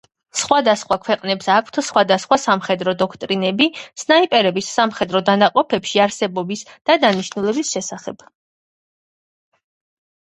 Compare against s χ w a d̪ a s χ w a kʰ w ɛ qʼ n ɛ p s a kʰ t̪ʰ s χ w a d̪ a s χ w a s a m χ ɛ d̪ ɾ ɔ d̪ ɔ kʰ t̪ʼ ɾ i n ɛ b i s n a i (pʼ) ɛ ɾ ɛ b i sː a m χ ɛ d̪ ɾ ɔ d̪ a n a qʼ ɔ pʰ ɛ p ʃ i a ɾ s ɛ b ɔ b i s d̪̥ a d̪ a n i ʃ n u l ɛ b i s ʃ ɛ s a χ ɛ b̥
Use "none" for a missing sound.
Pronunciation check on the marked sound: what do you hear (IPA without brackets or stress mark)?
pʼ